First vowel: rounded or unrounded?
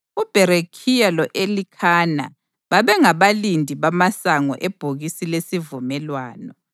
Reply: rounded